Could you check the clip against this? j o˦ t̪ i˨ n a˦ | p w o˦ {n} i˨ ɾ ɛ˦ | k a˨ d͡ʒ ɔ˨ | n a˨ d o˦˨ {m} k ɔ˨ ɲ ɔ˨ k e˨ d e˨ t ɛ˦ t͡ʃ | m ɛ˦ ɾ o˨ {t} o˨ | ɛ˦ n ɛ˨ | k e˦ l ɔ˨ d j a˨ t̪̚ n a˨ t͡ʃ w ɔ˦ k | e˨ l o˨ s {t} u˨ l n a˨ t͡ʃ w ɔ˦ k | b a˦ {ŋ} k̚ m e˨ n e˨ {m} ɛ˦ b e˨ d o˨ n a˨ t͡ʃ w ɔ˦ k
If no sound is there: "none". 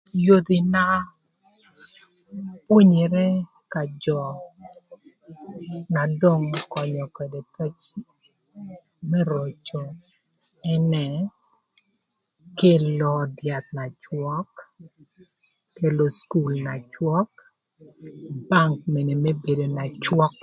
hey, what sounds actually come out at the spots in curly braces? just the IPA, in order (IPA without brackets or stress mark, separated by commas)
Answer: ɲ, ŋ, t͡ʃ, k, ŋ, m